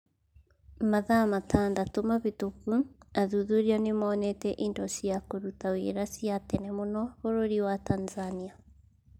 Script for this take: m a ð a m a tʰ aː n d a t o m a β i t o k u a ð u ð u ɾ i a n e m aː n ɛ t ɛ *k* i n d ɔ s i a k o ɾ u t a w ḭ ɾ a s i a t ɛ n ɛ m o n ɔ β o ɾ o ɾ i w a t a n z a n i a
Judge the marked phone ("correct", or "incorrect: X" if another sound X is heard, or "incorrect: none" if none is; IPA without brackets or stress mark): incorrect: ʔ